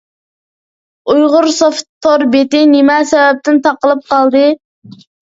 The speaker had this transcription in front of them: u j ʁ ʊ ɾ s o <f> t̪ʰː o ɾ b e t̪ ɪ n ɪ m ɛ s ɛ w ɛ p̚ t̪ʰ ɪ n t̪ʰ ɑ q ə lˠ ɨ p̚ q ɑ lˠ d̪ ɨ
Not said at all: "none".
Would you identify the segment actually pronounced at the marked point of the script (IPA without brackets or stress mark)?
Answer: f